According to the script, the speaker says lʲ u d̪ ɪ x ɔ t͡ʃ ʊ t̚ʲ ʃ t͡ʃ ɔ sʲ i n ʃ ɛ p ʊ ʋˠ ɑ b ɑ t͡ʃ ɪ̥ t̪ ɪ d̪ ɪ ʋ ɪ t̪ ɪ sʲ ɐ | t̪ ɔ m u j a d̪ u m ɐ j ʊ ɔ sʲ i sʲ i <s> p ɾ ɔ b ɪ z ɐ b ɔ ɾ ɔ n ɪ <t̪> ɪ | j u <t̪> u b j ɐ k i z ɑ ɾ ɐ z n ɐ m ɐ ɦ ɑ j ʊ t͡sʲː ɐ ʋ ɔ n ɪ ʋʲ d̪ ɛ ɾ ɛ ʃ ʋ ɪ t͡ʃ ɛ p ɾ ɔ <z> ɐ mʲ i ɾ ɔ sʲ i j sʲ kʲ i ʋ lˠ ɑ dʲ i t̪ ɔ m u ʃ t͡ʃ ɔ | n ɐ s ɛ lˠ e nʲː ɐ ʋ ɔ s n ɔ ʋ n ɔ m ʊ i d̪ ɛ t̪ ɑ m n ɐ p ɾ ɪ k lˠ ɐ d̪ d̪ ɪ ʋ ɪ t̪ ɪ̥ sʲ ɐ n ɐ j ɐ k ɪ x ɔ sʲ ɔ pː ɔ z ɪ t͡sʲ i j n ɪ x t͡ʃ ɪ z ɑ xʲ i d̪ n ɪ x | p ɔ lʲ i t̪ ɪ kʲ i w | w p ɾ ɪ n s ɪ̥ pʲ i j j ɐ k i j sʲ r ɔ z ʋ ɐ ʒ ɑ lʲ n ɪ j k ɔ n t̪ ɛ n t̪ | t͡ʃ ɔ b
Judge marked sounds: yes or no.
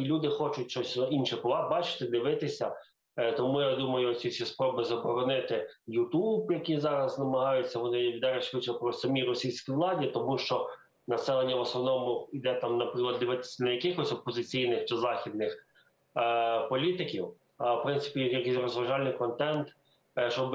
yes, yes, yes, no

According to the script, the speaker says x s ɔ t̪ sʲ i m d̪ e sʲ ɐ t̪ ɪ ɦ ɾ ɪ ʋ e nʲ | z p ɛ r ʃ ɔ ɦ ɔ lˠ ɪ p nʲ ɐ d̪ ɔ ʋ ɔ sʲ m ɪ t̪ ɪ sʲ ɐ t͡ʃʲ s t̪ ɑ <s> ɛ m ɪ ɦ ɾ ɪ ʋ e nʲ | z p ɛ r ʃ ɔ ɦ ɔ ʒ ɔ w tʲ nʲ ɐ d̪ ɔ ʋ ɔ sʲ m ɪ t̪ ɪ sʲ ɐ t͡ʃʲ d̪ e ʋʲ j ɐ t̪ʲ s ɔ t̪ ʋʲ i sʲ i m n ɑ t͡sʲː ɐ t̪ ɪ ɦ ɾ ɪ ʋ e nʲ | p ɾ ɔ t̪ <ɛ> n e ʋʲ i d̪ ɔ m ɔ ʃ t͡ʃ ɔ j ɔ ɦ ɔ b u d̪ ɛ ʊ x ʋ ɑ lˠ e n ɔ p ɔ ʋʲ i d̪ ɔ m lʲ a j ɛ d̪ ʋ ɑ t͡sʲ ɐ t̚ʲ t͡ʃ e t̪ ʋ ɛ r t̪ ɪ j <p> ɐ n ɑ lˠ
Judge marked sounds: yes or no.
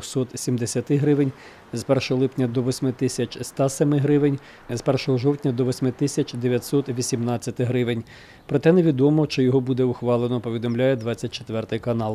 yes, yes, no

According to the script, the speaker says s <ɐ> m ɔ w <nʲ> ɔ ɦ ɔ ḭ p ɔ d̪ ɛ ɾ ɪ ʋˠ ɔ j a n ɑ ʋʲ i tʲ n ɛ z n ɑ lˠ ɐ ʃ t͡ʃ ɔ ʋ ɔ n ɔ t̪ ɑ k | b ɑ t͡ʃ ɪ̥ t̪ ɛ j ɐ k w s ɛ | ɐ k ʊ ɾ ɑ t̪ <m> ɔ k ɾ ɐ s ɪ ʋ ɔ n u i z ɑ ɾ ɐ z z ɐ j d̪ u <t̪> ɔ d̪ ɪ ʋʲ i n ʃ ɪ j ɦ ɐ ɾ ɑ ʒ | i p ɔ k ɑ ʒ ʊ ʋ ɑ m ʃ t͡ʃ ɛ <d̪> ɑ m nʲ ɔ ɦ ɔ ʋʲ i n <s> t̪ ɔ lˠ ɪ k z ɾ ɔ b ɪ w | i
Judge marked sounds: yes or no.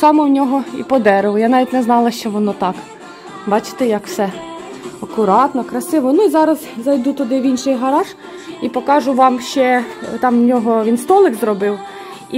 no, yes, no, yes, no, yes

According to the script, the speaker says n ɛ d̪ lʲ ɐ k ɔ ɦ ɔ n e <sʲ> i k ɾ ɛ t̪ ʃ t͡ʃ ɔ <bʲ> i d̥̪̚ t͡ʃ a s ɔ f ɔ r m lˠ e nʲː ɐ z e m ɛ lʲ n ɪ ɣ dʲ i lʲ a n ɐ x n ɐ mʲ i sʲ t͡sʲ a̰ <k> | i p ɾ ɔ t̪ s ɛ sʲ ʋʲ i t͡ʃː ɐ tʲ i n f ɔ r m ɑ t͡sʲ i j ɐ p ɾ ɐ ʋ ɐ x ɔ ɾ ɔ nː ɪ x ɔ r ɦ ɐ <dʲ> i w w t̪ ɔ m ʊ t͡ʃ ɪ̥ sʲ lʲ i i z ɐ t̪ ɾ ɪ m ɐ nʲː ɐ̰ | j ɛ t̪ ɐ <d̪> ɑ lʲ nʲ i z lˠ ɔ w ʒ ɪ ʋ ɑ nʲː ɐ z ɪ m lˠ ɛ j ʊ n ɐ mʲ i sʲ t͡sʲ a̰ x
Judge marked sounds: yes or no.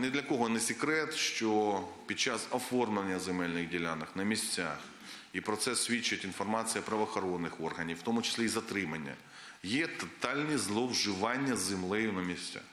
yes, no, no, no, no

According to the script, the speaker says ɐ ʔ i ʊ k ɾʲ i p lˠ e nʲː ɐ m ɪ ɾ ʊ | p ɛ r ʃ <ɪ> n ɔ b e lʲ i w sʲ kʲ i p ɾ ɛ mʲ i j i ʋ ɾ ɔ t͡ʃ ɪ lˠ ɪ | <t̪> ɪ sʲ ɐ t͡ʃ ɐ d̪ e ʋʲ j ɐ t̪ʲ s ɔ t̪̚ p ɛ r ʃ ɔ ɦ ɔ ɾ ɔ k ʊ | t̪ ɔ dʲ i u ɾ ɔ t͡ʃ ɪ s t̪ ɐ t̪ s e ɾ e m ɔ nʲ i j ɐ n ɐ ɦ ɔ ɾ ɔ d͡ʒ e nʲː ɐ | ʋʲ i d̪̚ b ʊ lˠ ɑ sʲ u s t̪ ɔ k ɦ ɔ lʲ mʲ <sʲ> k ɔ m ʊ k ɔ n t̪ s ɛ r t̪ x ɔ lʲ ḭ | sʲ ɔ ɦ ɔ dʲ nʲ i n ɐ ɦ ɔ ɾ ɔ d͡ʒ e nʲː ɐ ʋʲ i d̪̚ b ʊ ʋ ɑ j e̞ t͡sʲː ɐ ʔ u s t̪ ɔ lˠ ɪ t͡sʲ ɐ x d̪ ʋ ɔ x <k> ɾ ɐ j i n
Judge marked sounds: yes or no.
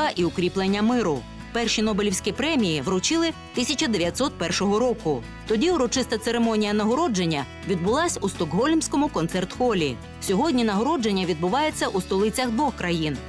no, yes, yes, yes

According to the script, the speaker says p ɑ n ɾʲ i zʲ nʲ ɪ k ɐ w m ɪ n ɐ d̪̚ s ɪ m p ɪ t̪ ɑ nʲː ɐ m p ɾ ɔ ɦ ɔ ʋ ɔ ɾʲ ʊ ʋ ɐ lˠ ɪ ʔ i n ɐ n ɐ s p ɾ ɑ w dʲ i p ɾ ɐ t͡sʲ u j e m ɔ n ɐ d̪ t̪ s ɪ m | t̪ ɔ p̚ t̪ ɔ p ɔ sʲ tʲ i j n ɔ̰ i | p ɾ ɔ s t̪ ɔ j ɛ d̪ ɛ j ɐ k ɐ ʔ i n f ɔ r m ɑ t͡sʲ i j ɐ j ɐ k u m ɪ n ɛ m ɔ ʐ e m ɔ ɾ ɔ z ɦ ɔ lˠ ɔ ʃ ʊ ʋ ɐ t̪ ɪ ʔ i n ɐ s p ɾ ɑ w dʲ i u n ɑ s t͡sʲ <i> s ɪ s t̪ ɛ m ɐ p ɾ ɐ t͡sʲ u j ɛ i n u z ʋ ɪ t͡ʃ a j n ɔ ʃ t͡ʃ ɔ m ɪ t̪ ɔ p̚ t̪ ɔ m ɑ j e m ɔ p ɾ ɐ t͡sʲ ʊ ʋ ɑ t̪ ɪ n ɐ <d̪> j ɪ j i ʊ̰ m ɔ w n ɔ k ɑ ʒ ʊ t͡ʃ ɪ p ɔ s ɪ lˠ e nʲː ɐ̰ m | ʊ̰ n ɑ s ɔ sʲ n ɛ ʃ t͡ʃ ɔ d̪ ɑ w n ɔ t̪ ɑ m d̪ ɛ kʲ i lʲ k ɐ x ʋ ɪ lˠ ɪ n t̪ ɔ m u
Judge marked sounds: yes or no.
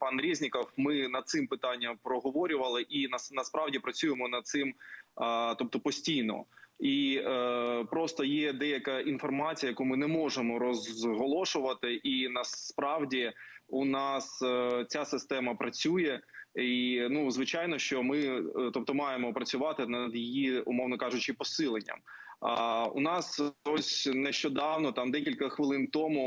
no, yes

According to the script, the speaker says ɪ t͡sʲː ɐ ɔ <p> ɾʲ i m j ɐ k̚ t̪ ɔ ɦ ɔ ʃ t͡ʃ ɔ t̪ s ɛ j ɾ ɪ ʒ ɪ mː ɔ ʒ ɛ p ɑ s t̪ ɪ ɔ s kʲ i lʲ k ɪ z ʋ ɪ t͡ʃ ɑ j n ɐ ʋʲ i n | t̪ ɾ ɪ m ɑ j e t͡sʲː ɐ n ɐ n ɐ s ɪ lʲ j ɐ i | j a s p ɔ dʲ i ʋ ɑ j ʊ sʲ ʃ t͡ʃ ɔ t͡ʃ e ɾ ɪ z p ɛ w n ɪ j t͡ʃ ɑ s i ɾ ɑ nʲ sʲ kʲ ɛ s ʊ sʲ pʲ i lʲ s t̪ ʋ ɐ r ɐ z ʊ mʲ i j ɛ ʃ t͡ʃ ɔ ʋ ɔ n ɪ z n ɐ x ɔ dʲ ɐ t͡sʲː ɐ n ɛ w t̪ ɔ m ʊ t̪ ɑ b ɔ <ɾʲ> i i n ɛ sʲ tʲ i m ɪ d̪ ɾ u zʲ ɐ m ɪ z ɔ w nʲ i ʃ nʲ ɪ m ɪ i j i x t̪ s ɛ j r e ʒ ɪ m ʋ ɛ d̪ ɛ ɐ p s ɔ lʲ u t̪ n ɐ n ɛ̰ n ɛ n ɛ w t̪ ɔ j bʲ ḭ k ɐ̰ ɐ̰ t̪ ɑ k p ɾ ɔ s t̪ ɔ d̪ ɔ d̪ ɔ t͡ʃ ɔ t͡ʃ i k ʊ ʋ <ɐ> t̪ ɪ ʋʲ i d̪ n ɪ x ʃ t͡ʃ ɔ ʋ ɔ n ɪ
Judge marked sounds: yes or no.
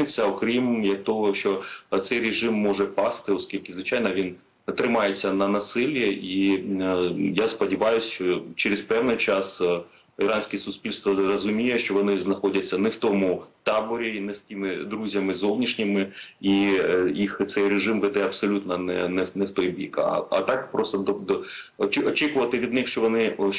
no, yes, yes

